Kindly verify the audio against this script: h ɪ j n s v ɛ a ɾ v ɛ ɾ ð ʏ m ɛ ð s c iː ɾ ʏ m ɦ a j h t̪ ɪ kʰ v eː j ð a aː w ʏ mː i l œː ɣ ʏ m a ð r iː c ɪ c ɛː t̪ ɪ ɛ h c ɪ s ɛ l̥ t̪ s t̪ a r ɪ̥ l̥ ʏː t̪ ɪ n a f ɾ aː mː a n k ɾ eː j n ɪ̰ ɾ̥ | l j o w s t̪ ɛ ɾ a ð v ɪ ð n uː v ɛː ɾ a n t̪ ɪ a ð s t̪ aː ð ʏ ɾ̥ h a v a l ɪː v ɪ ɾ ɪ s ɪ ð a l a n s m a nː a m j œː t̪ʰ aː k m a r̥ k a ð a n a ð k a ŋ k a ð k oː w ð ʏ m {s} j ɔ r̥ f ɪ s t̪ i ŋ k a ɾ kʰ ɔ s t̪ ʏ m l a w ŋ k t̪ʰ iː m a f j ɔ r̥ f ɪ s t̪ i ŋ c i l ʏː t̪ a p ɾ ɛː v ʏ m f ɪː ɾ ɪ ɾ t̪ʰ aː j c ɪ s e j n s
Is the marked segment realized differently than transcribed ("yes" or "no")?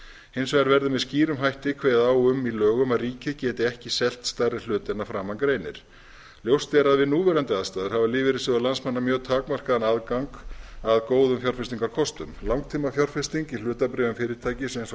yes